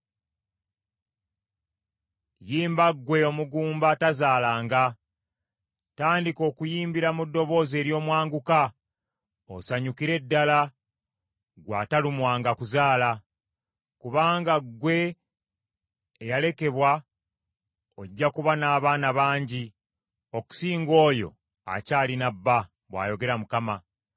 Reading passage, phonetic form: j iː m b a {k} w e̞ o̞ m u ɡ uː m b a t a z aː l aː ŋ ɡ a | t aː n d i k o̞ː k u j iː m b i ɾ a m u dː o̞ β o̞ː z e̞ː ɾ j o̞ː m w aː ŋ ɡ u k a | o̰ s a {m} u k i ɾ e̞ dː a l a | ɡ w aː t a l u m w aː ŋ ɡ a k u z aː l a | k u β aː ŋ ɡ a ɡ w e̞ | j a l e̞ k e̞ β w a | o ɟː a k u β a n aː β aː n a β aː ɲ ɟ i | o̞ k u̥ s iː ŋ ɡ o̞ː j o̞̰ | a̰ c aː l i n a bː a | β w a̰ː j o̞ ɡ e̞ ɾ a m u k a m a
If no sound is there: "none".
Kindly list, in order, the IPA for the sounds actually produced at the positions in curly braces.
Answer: ɡ, ɲ

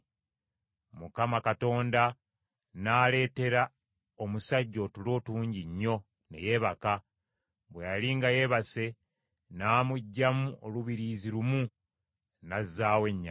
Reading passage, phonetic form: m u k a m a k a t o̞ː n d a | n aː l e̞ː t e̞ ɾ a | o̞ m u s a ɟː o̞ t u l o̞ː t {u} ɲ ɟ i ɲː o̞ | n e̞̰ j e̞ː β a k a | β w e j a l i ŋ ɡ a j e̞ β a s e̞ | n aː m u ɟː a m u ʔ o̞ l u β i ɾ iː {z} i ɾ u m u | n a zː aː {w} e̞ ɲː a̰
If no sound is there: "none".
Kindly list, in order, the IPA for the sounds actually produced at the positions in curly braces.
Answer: uː, z, w

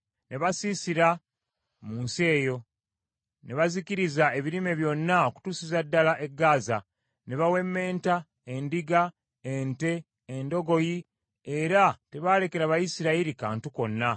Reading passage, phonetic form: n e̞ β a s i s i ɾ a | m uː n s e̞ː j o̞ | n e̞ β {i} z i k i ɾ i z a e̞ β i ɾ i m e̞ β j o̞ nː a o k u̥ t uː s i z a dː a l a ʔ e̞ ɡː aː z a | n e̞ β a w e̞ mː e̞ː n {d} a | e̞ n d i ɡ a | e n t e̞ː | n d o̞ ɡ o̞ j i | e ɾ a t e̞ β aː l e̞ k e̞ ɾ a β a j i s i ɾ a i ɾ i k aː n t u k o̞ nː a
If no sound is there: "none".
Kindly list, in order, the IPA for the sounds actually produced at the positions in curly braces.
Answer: a, t

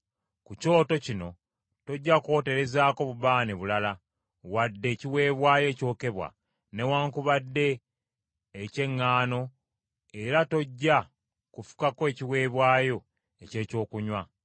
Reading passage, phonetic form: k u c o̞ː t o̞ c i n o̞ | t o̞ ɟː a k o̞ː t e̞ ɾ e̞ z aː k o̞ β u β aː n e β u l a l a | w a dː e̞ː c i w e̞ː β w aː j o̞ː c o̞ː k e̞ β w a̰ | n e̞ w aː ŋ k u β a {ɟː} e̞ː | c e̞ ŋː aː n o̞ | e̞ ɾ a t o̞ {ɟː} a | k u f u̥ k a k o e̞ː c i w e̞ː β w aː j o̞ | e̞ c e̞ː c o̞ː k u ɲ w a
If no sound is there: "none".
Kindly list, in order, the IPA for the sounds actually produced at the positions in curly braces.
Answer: dː, ɟː

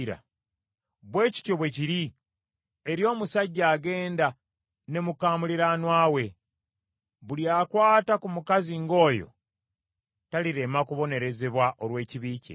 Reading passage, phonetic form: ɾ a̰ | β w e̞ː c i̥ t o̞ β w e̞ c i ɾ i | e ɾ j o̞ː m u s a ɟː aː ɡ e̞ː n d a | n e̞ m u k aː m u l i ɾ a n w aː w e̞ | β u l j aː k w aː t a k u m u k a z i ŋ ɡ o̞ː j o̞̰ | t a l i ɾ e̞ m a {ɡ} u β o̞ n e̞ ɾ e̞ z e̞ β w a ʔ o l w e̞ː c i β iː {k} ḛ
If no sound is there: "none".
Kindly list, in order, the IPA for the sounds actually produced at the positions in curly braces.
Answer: k, c

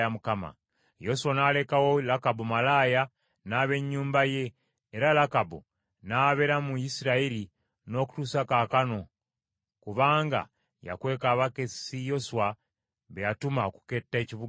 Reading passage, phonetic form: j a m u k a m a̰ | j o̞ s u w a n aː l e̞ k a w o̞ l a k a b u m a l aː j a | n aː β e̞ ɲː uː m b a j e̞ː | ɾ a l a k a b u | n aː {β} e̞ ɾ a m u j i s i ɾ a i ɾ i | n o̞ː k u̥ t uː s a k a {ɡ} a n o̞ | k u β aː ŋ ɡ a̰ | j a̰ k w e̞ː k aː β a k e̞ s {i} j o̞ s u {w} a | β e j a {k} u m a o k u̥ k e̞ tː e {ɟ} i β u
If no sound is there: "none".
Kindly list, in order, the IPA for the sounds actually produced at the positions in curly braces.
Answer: β, k, i, w, t, c

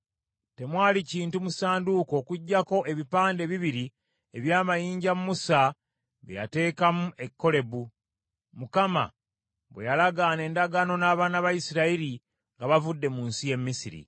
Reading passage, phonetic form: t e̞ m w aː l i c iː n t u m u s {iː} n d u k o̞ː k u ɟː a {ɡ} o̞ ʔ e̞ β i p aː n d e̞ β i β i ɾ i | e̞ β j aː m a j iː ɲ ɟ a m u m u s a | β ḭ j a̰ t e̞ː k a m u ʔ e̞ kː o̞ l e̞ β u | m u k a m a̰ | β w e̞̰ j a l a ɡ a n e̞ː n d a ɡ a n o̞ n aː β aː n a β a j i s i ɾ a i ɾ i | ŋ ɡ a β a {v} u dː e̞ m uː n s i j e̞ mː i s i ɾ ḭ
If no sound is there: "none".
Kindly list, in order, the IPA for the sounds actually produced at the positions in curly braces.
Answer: aː, k, v

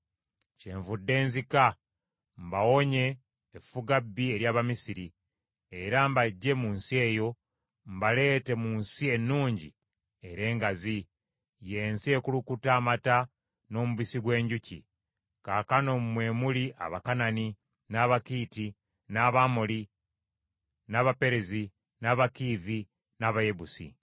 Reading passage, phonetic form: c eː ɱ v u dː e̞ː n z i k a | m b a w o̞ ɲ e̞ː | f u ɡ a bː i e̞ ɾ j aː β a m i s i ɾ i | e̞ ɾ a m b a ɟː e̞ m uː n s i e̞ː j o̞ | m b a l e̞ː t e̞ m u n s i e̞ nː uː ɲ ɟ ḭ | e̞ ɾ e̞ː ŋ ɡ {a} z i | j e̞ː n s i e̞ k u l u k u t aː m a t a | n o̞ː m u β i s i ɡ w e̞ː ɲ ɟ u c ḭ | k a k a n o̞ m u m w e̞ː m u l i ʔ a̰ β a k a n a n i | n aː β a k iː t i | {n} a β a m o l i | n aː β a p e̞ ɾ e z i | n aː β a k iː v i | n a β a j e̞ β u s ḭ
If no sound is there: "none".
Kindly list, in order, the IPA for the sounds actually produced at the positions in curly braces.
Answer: a, n

